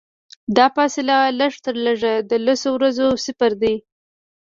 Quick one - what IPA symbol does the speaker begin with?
d̪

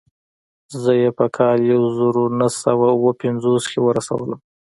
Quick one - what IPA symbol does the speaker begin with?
z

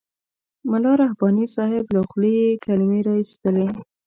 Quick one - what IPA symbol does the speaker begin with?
m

